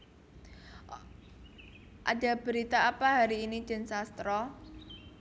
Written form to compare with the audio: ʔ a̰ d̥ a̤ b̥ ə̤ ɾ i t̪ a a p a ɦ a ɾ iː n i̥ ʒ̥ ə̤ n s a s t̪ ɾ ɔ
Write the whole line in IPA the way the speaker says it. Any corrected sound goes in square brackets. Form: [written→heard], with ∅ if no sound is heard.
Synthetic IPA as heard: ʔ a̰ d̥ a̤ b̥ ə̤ ɾ i t̪ a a p a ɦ a ɾ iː n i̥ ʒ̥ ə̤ n s a s t̪ ɾ ɔ